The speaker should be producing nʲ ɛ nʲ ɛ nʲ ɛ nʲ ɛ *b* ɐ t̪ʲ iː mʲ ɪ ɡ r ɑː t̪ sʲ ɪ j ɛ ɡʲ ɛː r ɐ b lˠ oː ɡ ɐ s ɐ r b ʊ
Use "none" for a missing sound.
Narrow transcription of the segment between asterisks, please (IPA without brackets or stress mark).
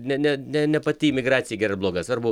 p